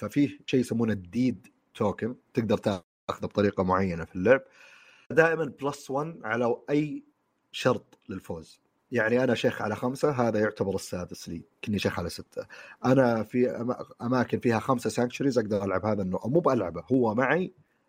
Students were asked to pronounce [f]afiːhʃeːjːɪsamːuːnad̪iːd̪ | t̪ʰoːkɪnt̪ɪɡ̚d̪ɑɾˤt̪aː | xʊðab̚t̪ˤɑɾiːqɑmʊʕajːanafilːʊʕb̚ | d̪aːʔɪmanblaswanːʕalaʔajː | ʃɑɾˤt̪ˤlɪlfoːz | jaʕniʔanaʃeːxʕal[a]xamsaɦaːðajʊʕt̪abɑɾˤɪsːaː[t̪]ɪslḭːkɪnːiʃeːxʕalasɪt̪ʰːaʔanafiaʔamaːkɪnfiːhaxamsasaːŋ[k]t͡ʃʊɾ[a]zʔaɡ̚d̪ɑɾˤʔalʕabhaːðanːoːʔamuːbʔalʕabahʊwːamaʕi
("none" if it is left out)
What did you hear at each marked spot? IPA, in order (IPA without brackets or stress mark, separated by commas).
f, a, d̪, k, i